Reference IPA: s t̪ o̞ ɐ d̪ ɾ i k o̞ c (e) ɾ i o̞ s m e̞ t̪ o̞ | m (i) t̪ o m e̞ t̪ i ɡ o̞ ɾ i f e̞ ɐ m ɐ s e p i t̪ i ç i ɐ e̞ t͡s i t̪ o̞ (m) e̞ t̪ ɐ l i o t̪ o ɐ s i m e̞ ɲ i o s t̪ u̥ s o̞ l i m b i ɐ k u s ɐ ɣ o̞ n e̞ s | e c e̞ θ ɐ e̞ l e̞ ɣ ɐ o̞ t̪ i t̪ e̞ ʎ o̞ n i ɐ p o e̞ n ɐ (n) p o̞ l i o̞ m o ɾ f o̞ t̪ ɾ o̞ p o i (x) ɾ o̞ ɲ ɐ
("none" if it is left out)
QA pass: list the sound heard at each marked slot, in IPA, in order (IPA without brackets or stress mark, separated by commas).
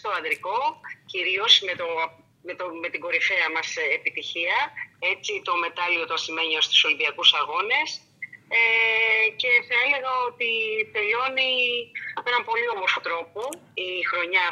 i, e, m, m, x